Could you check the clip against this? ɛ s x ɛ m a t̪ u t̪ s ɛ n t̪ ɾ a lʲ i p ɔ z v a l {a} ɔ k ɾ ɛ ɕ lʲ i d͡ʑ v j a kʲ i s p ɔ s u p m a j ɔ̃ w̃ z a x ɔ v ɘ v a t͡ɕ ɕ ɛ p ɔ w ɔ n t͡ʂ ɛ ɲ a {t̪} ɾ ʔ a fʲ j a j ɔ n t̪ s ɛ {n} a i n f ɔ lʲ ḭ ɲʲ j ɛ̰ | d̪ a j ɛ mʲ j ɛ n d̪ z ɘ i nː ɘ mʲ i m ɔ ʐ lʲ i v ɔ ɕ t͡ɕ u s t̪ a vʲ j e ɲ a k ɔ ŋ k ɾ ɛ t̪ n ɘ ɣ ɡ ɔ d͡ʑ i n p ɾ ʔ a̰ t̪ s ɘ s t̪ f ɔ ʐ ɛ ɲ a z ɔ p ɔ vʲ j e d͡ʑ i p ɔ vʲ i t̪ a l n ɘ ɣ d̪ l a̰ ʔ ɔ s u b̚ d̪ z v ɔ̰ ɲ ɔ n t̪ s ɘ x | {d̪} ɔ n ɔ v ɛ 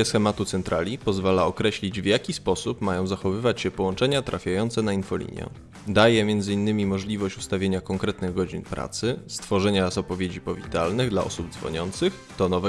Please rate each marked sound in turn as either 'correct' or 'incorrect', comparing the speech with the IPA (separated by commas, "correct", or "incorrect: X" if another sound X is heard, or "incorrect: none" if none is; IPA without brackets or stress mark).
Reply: correct, correct, correct, incorrect: t̪